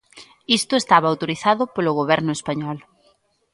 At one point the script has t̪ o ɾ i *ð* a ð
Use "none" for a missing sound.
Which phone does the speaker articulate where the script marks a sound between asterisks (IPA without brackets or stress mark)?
θ